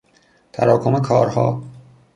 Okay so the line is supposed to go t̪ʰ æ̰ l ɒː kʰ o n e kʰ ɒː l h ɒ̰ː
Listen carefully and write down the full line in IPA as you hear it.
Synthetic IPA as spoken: t̪ʰ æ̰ ɾ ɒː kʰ o m e kʰ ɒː ɾ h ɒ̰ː